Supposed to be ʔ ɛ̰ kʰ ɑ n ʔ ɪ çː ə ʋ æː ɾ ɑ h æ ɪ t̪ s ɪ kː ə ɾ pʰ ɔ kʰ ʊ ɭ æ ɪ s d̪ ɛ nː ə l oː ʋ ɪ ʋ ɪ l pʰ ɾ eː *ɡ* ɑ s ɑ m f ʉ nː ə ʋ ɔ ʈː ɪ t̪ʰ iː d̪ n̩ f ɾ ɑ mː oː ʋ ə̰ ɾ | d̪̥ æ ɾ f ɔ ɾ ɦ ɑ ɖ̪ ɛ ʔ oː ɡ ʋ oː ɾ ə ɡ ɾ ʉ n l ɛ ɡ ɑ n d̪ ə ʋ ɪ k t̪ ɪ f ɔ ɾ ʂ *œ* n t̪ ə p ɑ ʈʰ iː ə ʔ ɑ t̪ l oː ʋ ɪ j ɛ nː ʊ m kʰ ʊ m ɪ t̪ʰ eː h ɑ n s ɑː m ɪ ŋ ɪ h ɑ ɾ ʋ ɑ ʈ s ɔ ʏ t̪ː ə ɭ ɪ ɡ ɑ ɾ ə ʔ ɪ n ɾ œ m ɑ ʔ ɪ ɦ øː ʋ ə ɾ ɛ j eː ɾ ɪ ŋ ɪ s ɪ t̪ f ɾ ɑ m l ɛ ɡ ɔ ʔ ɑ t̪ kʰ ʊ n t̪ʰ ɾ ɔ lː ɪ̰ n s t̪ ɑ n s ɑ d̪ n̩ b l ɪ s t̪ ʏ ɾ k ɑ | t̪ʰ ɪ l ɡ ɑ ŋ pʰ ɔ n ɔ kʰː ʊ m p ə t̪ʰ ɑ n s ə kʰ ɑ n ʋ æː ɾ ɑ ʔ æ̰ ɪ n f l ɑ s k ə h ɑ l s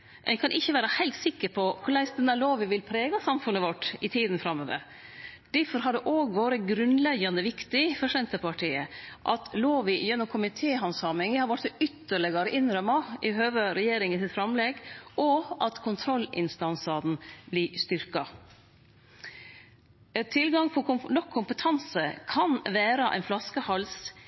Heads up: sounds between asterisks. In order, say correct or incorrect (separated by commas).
correct, incorrect